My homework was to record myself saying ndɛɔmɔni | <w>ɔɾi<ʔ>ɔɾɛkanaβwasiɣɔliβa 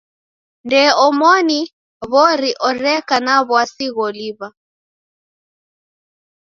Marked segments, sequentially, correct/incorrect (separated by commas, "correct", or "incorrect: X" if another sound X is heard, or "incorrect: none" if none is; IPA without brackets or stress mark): incorrect: β, correct